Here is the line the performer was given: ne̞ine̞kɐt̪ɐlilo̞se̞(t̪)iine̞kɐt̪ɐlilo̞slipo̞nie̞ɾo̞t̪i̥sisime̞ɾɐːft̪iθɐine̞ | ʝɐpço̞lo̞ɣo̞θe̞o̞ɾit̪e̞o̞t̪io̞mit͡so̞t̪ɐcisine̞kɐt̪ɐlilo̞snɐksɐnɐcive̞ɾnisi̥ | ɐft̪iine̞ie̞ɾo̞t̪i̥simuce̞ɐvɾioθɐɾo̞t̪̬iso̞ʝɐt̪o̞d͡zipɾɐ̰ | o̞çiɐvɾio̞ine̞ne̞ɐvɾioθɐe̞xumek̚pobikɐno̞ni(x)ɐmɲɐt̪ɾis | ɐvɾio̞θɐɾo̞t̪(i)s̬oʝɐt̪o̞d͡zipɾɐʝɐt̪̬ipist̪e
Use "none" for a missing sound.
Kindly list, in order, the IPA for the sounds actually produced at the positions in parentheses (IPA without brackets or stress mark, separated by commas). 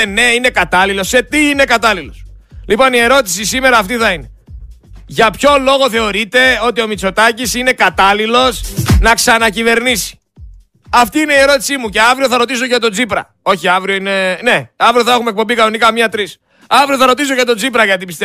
t̪, k, i